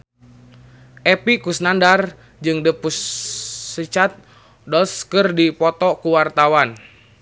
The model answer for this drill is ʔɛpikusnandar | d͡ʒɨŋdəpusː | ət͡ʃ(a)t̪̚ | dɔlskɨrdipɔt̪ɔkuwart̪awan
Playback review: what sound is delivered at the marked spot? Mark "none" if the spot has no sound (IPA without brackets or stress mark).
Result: a